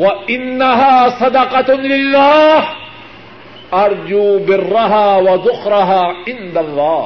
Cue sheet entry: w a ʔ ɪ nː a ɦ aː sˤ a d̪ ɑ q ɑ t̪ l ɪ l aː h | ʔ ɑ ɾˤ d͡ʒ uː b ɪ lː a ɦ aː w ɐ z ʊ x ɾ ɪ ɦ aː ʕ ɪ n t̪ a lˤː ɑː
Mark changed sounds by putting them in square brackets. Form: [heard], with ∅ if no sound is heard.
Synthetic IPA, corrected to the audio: w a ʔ ɪ nː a ɦ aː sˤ [ɑ] d̪ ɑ q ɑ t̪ l ɪ [lː] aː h | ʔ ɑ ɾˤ d͡ʒ uː b ɪ [rː] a ɦ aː w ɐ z ʊ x ɾ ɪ ɦ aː ʕ ɪ n [d̪] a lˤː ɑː